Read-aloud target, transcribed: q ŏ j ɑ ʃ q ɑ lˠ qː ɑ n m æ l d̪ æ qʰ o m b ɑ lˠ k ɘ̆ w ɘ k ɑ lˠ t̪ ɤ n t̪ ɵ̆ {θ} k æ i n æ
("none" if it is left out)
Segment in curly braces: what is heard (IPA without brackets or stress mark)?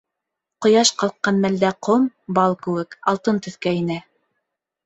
θ